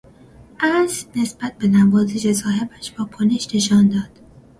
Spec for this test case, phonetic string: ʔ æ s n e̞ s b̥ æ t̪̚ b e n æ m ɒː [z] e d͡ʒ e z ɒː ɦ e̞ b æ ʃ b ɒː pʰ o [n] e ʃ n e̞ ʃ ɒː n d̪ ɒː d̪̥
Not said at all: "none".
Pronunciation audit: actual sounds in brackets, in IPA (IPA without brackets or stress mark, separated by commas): z, n